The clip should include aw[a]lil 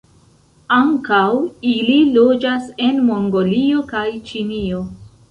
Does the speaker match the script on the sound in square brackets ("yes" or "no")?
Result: no